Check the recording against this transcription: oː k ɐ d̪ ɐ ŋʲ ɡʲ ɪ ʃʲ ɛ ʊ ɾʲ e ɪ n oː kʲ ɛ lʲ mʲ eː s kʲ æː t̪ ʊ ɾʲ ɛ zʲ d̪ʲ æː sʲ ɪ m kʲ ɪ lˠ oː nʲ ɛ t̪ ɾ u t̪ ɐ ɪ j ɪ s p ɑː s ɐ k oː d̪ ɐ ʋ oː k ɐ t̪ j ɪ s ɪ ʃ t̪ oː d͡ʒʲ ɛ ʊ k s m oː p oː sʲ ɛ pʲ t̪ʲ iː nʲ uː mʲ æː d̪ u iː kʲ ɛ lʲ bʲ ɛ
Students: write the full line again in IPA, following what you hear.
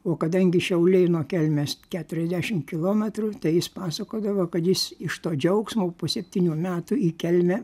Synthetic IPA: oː k ɐ d̪ ɐ ŋʲ ɡʲ ɪ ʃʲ ɛ ʊ lʲ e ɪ n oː kʲ ɛ lʲ mʲ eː s kʲ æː t̪ ʊ ɾʲ ɛ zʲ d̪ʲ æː ʃʲ ɪ m kʲ ɪ lˠ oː mʲ ɛ t̪ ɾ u t̪ ɐ ɪ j ɪ s p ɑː s ɐ k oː d̪ ɐ ʋ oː k ɐ t̪ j ɪ s ɪ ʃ t̪ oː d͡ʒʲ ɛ ʊ k s m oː p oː sʲ ɛ pʲ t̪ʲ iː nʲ uː mʲ æː t̪ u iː kʲ ɛ lʲ mʲ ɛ

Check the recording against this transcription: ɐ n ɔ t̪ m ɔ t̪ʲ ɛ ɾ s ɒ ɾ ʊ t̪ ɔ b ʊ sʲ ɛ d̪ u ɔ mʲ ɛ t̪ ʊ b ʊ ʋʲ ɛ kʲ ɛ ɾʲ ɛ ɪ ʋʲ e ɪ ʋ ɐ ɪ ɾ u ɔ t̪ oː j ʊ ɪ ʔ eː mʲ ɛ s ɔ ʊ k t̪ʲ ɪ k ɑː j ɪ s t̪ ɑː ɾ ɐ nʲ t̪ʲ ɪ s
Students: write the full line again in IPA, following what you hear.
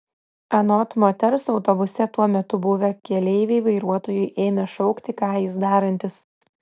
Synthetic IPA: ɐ n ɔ t̪ m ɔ t̪ʲ ɛ ɾ s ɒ ʊ t̪ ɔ b ʊ sʲ ɛ t̪ u ɔ mʲ ɛ t̪ ʊ b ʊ ʋʲ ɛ kʲ ɛ lʲ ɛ ɪ ʋʲ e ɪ ʋ ɐ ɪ ɾ u ɔ t̪ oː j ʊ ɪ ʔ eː mʲ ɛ ʃ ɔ ʊ k t̪ʲ ɪ k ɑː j ɪ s d̪ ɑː ɾ ɐ nʲ t̪ʲ ɪ s

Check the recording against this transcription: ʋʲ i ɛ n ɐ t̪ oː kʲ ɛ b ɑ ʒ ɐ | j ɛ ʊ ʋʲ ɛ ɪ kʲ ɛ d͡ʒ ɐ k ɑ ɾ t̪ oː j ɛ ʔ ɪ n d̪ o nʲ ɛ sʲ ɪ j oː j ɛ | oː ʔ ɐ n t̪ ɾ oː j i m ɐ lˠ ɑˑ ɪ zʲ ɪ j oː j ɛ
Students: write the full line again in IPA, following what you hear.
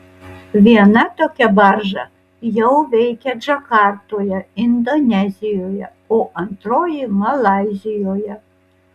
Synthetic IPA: ʋʲ i ɛ n ɐ t̪ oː kʲ ɛ b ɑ ʒ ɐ | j ɛ ʊ ʋʲ ɛ ɪ kʲ ɛ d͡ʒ ɐ k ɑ ɾ t̪ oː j ɛ ɪ n d̪ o nʲ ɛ zʲ ɪ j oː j ɛ | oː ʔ ɐ n t̪ ɾ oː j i m ɐ lˠ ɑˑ ɪ zʲ ɪ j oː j ɛ

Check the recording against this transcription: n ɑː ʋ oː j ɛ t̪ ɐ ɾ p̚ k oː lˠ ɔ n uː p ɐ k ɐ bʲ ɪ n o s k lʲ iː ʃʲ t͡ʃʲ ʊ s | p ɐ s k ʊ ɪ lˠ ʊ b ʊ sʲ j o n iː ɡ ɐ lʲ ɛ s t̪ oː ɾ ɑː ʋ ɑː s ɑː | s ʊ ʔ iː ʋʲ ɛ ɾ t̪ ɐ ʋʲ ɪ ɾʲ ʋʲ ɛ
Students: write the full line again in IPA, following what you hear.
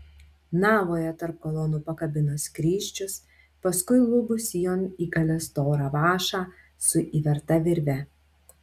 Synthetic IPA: n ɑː ʋ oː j ɛ t̪ ɐ ɾ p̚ k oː lˠ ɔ n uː p ɐ k ɐ bʲ ɪ n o s k ɾʲ iː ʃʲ t͡ʃʲ ʊ s | p ɐ s k ʊ ɪ lˠ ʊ b ʊ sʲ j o n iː ɡ ɐ lʲ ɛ s t̪ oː ɾ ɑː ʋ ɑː ʃ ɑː | s ʊ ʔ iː ʋʲ ɛ ɾ t̪ ɐ ʋʲ ɪ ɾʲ ʋʲ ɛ

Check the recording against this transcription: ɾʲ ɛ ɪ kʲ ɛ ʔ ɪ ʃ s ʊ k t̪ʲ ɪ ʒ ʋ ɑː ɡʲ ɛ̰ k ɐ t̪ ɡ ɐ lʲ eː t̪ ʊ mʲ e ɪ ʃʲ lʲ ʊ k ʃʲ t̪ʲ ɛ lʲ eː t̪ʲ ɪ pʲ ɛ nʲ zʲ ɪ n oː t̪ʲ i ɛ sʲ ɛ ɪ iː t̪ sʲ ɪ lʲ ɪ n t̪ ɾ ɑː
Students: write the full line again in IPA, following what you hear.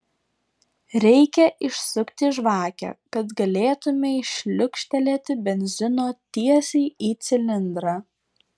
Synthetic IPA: ɾʲ ɛ ɪ kʲ ɛ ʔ ɪ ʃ s ʊ k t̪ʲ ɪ ʒ ʋ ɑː kʲ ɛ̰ k ɐ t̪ ɡ ɐ lʲ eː t̪ ʊ mʲ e ɪ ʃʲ lʲ ʊ k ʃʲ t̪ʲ ɛ lʲ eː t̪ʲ ɪ bʲ ɛ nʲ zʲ ɪ n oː t̪ʲ i ɛ sʲ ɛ ɪ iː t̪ sʲ ɪ lʲ ɪ n d̪ ɾ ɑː

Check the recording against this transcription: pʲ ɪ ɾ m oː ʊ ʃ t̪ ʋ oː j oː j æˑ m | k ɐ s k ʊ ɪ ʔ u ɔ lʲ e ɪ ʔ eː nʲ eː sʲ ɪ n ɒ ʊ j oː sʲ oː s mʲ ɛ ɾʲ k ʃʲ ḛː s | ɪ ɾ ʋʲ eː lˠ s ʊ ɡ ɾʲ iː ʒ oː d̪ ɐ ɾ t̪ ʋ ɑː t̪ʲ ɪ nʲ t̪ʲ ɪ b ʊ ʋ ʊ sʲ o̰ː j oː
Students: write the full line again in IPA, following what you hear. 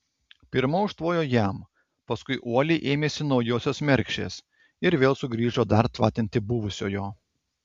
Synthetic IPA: pʲ ɪ ɾ m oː ʊ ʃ t̪ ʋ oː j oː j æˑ m | p ɐ s k ʊ ɪ ʔ u ɔ lʲ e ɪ ʔ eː mʲ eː sʲ ɪ n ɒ ʊ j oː sʲ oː s mʲ ɛ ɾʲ k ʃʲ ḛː s | ɪ ɾ ʋʲ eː lˠ s ʊ ɡ ɾʲ iː ʒ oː d̪ ɐ ɾ t̪ ʋ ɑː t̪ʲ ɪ nʲ t̪ʲ ɪ b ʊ ʋ ʊ sʲ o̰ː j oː

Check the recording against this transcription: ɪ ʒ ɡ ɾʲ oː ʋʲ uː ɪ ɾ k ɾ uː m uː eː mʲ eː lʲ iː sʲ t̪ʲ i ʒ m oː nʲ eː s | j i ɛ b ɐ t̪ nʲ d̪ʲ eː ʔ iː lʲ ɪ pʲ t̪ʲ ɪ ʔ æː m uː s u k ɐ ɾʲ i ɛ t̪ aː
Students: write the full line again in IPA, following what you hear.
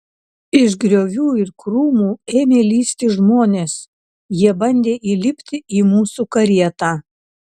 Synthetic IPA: ɪ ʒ ɡ ɾʲ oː ʋʲ uː ɪ ɾ k ɾ uː m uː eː mʲ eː lʲ iː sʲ t̪ʲ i ʒ m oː nʲ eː s | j i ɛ b ɐ nʲ d̪ʲ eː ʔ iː lʲ ɪ pʲ t̪ʲ ɪ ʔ iː m uː s u k ɐ ɾʲ i ɛ t̪ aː

